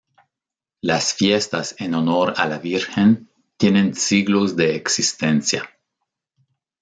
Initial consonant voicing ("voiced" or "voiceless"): voiced